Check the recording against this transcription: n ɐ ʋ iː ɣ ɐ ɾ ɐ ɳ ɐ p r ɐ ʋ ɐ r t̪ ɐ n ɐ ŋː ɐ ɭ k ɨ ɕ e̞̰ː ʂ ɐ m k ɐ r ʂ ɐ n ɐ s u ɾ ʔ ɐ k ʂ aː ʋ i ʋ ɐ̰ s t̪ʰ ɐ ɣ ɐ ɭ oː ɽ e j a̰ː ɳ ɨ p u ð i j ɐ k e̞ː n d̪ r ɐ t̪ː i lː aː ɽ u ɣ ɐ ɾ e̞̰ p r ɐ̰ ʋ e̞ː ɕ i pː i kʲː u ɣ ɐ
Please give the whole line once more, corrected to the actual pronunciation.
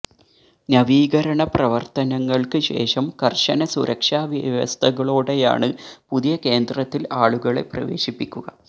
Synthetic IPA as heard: n ɐ ʋ iː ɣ ɐ ɾ ɐ ɳ ɐ p r ɐ ʋ ɐ r t̪ ɐ n ɐ ŋː ɐ ɭ k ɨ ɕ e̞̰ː ʂ ɐ m k ɐ r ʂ ɐ n ɐ s u ɾ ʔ ɐ k ʂ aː ʋ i ʋ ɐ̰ s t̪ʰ ɐ ɣ ɐ ɭ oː ɽ e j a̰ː ɳ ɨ p u ð i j ɐ k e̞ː n d̪ r ɐ t̪ː i l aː ɭ u ɣ ɐ ɭ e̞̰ p r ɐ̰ ʋ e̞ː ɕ i pː i kʲː u ɣ ɐ